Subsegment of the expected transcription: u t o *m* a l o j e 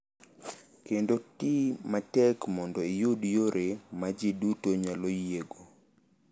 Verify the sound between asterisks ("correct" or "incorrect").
incorrect